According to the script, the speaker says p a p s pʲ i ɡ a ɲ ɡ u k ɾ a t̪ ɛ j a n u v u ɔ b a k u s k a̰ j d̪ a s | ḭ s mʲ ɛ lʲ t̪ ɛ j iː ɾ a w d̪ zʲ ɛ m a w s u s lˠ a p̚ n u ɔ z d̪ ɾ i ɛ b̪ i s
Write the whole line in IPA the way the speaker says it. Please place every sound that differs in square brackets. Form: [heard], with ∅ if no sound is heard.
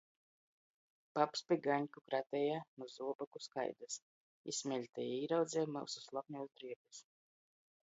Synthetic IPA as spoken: p a p s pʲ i ɡ a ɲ [k] u k ɾ a t̪ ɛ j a n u [z] u ɔ b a k u s k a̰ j d̪ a s | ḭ s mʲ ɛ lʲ t̪ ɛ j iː ɾ a w d̪ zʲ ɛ m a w s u s lˠ a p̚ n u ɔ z d̪ ɾ i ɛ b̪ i s